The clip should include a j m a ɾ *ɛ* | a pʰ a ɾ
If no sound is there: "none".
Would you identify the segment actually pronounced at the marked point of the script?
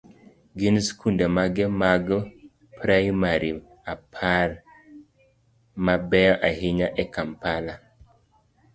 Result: i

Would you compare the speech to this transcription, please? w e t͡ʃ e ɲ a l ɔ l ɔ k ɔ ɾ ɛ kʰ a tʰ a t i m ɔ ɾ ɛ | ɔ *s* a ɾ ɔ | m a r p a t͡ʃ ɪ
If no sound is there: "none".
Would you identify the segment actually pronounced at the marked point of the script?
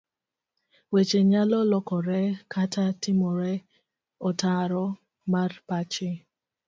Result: t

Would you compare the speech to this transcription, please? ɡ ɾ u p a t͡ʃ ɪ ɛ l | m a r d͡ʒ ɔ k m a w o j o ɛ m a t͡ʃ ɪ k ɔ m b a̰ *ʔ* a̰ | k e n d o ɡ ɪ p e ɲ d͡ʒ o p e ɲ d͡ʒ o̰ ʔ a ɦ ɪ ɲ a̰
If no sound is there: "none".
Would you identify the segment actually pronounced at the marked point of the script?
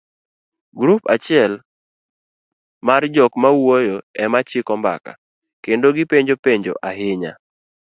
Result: k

